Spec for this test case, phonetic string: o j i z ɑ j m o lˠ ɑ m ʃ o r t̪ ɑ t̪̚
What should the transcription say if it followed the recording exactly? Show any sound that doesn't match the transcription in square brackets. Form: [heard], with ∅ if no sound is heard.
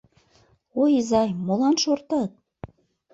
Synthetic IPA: o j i z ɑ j m o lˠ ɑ [n] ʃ o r t̪ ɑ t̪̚